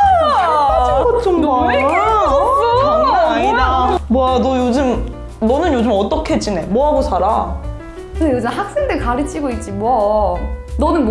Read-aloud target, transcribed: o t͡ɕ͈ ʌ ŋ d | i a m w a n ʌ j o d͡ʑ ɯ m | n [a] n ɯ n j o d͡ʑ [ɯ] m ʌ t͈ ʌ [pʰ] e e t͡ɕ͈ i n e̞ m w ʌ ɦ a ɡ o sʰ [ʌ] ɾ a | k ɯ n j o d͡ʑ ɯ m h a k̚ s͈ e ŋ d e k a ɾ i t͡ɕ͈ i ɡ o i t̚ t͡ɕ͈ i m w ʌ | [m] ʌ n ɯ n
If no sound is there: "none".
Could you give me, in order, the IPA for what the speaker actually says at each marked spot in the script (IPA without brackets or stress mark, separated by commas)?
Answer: ʌ, ɯ, kʰ, a, n